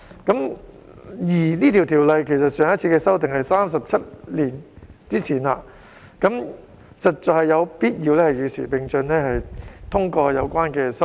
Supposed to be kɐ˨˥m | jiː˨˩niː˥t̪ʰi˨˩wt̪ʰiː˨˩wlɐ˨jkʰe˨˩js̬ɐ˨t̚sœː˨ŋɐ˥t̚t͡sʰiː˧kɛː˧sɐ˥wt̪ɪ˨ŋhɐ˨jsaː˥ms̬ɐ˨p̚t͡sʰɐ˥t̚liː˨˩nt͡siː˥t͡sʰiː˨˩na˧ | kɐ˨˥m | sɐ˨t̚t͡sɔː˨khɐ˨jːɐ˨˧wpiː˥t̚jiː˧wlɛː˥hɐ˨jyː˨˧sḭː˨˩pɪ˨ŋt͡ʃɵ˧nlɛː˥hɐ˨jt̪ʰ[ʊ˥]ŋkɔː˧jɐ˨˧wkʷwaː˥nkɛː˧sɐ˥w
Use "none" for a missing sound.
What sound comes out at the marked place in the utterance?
ʊ˥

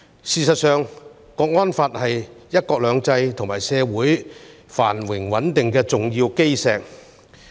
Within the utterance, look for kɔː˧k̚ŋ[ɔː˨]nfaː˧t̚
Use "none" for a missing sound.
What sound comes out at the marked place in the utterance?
ɔː˥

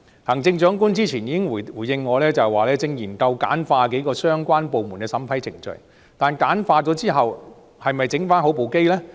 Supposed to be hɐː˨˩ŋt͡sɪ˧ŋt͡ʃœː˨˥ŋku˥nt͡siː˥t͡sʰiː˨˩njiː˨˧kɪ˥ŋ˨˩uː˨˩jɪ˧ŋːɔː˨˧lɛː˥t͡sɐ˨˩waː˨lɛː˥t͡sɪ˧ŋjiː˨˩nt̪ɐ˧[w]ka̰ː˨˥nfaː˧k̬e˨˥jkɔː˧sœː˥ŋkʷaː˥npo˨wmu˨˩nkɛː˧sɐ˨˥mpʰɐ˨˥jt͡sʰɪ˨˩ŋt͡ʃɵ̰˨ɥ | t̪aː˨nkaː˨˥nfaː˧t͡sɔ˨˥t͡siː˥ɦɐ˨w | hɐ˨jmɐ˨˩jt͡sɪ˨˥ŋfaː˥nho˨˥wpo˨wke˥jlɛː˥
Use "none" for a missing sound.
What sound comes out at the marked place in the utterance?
w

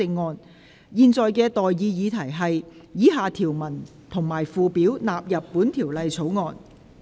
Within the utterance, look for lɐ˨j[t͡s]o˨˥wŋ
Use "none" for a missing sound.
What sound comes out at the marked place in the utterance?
t͡sʰ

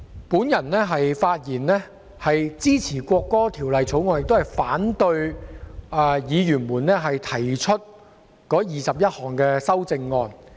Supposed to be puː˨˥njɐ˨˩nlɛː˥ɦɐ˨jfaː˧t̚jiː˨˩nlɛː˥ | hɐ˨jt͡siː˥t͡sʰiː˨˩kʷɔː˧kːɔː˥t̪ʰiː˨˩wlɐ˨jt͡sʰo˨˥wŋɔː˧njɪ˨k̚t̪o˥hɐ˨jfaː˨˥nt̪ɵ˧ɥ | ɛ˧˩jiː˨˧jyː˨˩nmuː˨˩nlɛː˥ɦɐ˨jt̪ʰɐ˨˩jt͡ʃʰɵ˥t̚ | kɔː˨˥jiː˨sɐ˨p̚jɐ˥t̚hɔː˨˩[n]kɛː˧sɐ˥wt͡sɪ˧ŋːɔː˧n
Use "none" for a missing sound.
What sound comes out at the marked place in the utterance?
ŋ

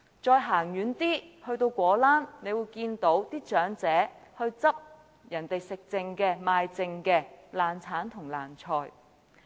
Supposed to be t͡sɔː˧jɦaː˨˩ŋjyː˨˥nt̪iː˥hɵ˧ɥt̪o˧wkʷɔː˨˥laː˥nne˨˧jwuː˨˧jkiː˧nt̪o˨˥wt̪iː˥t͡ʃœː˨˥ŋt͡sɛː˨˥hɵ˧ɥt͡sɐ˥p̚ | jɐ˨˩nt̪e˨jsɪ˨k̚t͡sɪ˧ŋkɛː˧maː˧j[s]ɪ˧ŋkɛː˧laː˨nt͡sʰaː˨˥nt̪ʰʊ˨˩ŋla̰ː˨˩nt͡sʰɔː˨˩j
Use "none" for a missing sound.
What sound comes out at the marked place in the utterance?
t͡s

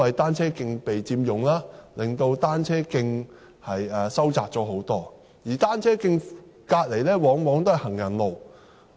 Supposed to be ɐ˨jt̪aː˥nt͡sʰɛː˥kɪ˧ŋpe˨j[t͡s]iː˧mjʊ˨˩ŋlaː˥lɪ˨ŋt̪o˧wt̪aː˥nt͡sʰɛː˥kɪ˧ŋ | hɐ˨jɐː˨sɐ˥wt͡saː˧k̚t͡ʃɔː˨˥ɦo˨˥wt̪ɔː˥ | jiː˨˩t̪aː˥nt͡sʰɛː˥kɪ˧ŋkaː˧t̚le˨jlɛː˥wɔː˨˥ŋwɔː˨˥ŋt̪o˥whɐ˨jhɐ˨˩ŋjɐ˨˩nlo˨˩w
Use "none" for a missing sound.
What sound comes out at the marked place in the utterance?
t͡s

